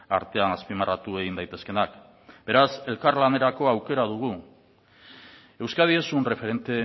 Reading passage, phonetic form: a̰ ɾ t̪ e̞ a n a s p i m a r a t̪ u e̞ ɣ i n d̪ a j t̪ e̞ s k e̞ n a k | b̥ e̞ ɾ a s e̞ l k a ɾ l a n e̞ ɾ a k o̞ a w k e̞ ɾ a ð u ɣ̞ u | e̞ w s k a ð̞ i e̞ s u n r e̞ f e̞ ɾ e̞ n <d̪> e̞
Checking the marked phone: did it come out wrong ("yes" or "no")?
yes